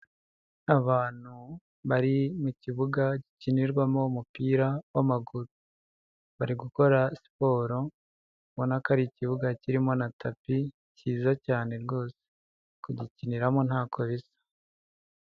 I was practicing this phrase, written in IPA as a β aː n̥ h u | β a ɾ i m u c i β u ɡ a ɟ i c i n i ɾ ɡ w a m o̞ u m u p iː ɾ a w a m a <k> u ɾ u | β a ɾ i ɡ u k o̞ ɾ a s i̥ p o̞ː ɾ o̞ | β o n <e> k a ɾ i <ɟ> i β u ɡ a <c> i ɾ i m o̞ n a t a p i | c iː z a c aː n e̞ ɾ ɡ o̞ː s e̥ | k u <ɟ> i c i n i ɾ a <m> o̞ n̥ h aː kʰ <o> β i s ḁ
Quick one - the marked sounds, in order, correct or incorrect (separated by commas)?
incorrect, incorrect, incorrect, correct, correct, correct, correct